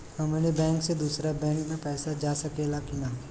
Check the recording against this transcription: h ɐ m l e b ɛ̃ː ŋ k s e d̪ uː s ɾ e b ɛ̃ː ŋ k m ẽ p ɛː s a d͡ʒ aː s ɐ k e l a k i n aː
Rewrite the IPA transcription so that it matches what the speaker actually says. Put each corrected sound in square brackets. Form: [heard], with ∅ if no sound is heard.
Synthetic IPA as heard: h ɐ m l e b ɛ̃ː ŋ k s e d̪ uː s ɾ [a] b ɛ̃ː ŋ k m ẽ p ɛː s a d͡ʒ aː s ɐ k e l a k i n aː